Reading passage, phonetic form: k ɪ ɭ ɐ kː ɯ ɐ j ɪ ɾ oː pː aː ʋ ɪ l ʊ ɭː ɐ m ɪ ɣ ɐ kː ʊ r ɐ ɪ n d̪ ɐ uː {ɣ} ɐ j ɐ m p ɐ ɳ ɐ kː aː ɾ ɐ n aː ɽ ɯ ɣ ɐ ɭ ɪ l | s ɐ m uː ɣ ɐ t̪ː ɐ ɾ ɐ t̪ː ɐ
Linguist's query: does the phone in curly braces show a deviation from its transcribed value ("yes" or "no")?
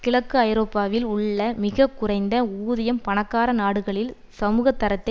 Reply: yes